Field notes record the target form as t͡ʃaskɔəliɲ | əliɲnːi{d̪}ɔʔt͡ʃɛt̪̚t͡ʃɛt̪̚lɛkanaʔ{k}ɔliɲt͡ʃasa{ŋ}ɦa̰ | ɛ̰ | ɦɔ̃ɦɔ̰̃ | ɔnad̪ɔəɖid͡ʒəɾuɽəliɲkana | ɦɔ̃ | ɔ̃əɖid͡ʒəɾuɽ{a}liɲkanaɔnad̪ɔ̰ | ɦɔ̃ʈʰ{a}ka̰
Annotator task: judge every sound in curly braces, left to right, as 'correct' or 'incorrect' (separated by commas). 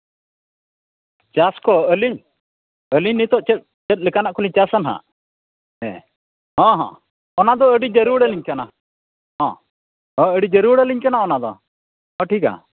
incorrect, correct, incorrect, incorrect, incorrect